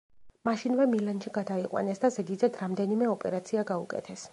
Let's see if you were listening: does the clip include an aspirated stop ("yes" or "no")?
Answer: yes